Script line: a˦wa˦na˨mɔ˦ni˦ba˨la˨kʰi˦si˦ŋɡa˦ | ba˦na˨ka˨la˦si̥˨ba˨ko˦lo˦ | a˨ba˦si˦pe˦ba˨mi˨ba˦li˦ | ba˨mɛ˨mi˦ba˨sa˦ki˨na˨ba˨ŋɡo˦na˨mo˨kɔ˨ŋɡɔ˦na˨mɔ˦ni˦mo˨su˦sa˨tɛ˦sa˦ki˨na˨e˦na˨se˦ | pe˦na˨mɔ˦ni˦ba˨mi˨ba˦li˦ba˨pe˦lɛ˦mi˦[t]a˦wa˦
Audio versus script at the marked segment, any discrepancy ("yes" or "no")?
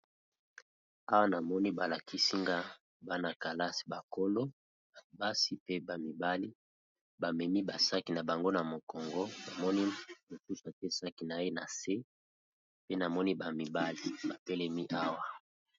yes